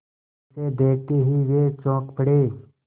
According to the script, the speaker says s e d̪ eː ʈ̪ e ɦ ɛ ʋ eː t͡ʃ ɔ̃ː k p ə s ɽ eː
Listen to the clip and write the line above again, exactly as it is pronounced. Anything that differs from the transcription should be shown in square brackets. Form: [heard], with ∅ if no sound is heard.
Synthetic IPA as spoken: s e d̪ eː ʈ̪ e ɦ [i] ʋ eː t͡ʃ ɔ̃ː k p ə [∅] ɽ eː